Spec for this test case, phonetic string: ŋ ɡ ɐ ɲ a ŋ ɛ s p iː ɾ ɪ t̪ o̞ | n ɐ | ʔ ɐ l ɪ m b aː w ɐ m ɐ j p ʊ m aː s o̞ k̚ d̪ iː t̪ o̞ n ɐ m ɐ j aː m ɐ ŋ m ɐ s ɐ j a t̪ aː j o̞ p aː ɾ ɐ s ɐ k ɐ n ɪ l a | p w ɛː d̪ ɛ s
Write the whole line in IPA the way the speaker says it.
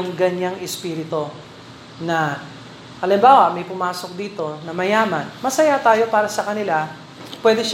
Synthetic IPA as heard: ŋ ɡ ɐ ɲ a ŋ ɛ s p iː ɾ ɪ t̪ o̞ | n ɐ | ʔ ɐ l ɪ m b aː w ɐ m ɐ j p ʊ m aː s o̞ k̚ d̪ iː t̪ o̞ n ɐ m ɐ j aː m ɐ n m ɐ s ɐ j a t̪ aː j o̞ p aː ɾ ɐ s ɐ k ɐ n ɪ l a | p w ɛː d̪ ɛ ʃ